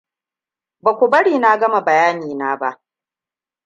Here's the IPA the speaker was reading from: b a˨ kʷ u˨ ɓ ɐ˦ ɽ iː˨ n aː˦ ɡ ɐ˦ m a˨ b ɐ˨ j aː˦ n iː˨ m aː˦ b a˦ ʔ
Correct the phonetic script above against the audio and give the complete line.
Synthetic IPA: b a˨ kʷ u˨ b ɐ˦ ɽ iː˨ n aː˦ ɡ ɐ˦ m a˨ b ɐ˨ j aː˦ n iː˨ n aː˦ b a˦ ʔ

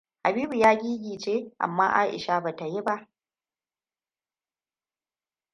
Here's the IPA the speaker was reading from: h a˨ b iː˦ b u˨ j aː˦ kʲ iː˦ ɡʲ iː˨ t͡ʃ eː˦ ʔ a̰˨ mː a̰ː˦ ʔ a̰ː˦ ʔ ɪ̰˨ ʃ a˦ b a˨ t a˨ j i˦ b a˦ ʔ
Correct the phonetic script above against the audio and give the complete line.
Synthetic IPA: h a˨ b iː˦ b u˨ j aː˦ ɡʲ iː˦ ɡʲ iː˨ t͡ʃ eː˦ ʔ a̰˨ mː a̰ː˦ ʔ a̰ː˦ ʔ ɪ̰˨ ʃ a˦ b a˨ t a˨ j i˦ b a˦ ʔ

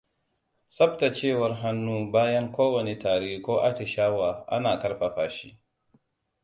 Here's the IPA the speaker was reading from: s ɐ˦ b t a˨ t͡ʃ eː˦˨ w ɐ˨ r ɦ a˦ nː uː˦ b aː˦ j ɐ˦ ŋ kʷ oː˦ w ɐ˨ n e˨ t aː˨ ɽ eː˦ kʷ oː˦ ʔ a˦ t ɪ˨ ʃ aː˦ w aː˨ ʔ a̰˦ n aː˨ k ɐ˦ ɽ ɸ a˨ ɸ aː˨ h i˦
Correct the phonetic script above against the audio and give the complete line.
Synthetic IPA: s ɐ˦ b t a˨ t͡ʃ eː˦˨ w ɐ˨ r ɦ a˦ nː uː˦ b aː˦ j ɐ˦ ŋ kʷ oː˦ w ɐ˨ n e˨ t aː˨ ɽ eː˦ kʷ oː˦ ʔ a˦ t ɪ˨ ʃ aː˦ w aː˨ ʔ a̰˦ n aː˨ k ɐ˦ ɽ ɸ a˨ ɸ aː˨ ʃ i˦

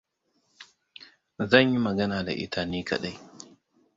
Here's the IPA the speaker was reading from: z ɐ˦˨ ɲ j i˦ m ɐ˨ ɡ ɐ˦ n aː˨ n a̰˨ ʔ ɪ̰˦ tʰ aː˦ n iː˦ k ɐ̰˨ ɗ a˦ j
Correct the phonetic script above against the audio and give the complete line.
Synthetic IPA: z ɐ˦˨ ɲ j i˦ m ɐ˨ ɡ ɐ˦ n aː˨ d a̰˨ ʔ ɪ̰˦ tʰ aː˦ n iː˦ k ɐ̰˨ ɗ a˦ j

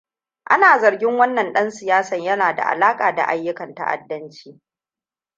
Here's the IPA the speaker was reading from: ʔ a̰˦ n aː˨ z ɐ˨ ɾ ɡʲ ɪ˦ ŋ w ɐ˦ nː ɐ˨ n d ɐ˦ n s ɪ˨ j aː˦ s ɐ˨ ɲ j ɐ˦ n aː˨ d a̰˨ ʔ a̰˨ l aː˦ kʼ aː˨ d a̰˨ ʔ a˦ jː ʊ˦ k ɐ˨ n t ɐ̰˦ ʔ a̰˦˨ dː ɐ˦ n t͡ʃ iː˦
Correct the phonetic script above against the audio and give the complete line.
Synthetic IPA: ʔ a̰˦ n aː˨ z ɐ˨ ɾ ɡʲ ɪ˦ ŋ w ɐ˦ nː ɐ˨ n ɗ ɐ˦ n s ɪ˨ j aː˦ s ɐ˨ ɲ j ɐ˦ n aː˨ d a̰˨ ʔ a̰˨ l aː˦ kʼ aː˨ d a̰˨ ʔ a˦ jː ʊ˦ k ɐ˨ n t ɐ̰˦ ʔ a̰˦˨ dː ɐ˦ n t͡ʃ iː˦

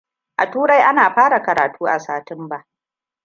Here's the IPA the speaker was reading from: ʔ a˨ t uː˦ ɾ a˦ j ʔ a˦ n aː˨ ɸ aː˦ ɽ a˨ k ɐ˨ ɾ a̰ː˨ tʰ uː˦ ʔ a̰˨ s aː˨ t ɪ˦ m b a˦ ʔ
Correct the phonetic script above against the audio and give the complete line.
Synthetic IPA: ʔ a˨ t uː˦ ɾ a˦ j ʔ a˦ n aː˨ ɸ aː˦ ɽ a˨ k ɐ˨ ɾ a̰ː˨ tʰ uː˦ ʔ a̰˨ s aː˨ t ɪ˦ m b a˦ ʔ

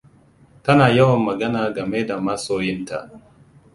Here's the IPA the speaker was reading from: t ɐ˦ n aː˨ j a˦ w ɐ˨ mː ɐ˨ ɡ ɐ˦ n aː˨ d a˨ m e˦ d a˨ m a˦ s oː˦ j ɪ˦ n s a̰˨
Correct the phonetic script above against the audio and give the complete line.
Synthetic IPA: t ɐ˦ n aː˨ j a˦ w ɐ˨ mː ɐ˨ ɡ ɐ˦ n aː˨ ɡ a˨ m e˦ d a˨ m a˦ s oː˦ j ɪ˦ n t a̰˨

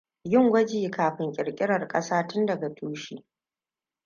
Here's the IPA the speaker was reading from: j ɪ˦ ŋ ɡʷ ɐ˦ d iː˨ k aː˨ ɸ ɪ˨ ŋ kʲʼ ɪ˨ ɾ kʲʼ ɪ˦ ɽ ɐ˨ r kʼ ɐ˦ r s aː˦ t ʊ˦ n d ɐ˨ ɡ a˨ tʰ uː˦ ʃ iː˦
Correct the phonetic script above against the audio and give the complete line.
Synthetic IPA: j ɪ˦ ŋ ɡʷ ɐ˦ d͡ʒ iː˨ k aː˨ ɸ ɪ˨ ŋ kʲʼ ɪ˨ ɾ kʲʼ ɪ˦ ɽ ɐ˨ r kʼ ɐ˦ s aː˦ t ʊ˦ n d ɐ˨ ɡ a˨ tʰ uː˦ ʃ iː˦

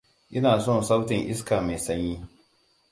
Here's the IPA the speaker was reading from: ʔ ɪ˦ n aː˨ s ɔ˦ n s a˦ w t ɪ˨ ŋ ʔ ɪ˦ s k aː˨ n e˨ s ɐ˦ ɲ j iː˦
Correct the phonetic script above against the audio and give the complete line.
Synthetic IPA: ʔ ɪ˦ n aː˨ s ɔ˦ n s a˦ w t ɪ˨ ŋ ʔ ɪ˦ s k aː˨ m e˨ s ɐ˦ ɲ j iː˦

